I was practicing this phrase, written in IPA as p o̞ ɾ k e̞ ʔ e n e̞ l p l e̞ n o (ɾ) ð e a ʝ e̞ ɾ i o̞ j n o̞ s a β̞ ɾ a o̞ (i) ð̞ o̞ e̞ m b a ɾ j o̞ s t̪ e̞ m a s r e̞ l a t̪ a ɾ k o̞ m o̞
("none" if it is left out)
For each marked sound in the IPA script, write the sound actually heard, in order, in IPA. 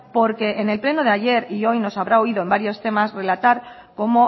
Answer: none, i

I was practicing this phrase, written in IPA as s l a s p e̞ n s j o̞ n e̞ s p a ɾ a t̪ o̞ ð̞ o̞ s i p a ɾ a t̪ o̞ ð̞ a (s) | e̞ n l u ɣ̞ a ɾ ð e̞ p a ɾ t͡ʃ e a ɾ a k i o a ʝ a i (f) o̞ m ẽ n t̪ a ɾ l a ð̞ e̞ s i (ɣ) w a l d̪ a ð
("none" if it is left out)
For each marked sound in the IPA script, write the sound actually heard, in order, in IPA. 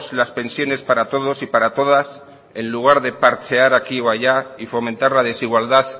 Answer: s, f, ɣ

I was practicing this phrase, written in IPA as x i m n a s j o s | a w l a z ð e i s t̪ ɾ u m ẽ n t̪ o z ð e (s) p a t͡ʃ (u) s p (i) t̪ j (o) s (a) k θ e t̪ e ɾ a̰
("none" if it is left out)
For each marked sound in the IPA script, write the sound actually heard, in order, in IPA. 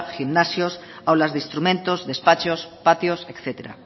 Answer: s, o, a, o, e

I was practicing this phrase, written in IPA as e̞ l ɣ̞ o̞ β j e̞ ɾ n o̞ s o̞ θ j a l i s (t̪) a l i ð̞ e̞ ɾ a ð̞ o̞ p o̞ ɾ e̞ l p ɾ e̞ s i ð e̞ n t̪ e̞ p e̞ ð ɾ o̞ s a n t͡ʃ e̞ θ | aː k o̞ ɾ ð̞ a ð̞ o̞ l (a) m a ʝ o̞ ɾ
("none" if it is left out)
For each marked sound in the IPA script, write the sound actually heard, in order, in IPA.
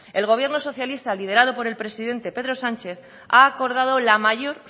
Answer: t̪, a

